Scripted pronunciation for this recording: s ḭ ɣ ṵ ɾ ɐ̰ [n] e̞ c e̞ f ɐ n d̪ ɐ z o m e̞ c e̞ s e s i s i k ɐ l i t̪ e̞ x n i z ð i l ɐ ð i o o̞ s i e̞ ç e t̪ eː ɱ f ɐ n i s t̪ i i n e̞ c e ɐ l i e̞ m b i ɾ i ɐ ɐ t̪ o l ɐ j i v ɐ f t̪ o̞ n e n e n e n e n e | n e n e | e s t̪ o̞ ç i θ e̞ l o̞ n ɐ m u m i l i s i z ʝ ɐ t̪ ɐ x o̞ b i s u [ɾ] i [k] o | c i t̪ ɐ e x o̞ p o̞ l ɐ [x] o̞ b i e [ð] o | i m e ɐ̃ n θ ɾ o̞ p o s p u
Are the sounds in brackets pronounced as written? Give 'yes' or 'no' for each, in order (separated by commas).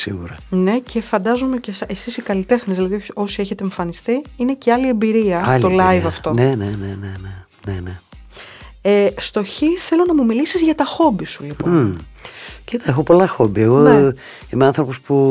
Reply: yes, no, no, yes, no